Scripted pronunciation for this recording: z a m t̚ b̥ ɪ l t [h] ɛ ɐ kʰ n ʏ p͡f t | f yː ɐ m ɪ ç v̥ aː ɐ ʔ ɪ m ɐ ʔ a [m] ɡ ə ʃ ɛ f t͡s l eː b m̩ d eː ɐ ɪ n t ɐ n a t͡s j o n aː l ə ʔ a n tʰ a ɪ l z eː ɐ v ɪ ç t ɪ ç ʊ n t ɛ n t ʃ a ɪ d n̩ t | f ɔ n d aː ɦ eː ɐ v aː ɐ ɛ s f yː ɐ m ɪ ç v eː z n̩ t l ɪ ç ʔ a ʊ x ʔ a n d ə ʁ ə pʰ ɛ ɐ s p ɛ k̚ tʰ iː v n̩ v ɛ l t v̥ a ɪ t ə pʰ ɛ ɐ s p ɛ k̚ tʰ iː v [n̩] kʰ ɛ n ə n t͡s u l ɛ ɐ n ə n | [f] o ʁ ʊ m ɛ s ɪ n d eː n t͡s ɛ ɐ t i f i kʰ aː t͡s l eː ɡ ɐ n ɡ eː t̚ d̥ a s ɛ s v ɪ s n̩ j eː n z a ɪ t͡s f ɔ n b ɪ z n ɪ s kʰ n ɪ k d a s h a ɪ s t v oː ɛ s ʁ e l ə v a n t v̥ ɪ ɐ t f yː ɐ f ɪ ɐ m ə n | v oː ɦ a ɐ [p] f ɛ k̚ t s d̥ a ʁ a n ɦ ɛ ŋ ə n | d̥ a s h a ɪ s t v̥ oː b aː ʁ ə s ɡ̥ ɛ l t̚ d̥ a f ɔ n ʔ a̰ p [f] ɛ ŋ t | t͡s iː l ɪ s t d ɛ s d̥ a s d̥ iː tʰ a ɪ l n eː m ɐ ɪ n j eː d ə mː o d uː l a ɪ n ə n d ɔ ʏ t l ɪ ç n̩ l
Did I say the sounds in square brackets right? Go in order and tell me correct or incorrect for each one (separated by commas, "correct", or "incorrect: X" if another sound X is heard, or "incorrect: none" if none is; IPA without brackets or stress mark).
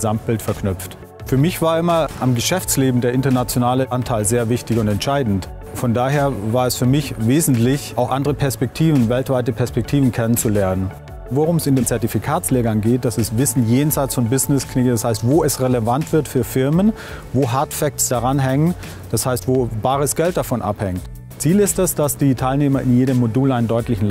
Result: incorrect: f, correct, correct, incorrect: v, incorrect: t, incorrect: h